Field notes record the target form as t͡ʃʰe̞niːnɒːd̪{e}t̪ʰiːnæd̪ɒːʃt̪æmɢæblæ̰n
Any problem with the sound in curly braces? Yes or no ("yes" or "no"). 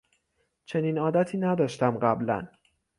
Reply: yes